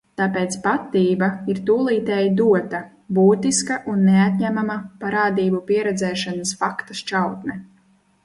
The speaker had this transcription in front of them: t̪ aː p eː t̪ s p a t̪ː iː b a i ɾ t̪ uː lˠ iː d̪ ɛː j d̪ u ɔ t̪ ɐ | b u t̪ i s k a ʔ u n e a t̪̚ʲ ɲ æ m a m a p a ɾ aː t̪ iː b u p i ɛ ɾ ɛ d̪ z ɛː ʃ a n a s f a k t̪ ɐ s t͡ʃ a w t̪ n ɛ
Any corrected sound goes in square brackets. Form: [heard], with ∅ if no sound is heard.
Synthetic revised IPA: t̪ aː p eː t̪ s p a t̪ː iː b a i ɾ t̪ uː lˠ iː [t̪] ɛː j d̪ u ɔ t̪ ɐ | b [uː] t̪ i s k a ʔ u [nː] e a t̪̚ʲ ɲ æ m a m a p a ɾ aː [d̪] iː b u p i ɛ ɾ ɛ d̪ z ɛː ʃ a n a s f a k t̪ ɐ s t͡ʃ a w t̪ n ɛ